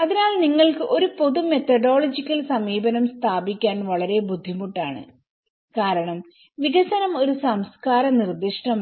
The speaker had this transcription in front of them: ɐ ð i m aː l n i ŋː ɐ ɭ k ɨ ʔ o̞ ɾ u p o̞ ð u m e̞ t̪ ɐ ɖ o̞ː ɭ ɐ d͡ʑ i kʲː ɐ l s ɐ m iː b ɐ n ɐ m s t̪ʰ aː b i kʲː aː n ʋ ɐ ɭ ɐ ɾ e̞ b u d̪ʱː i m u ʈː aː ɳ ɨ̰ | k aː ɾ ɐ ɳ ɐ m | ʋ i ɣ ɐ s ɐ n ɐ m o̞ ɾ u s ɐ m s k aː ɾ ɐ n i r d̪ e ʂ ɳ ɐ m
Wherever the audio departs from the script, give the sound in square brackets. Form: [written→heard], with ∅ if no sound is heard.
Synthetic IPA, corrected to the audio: ɐ ð i [m→n] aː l n i ŋː ɐ ɭ k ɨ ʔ o̞ ɾ u p o̞ ð u m e̞ t̪ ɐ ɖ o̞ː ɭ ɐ d͡ʑ i kʲː ɐ l s ɐ m iː b ɐ n ɐ m s t̪ʰ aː b i kʲː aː n ʋ ɐ ɭ ɐ ɾ e̞ b u d̪ʱː i m u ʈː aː ɳ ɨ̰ | k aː ɾ ɐ ɳ ɐ m | ʋ i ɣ ɐ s ɐ n ɐ m o̞ ɾ u s ɐ m s k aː ɾ ɐ n i r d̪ [e→i] ʂ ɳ ɐ m